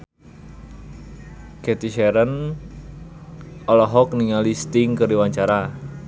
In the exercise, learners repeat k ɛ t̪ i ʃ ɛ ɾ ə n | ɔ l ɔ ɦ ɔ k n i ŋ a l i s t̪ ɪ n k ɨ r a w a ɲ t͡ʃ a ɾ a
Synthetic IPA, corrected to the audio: k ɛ t̪ i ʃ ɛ ɾ ə n | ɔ l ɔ ɦ ɔ k n i ŋ a l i s t̪ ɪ ŋ k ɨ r i w a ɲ t͡ʃ a ɾ a